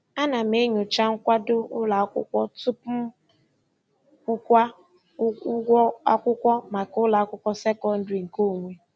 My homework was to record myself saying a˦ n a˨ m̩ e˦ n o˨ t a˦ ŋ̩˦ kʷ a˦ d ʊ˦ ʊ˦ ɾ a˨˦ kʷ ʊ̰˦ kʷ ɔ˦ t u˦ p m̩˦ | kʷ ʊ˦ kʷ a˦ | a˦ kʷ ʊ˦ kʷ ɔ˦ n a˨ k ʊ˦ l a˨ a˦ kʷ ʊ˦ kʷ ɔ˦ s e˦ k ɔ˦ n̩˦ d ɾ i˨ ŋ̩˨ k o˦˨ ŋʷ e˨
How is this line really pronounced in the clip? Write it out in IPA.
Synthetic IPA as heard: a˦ n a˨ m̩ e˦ ɲ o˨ t͡ʃ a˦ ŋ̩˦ kʷ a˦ d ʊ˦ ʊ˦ l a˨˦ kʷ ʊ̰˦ kʷ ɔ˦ t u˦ p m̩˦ | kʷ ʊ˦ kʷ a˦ | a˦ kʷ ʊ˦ kʷ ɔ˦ m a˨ k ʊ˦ l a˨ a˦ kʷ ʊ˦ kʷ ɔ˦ s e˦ k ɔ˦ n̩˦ d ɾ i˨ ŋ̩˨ k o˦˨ ŋʷ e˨